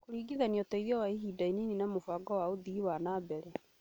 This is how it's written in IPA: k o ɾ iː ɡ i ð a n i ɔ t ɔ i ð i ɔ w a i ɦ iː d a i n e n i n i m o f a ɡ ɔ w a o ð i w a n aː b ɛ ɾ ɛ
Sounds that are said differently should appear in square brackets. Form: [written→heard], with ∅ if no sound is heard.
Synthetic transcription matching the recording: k o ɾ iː ɡ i ð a n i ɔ t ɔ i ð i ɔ w a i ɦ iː d a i n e n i n [i→a] m o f a ɡ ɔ w a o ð i w a n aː b ɛ ɾ ɛ